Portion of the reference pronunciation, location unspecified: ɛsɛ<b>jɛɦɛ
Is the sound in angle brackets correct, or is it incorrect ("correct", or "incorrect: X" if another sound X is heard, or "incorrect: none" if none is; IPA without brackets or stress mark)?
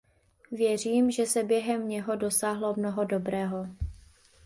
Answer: correct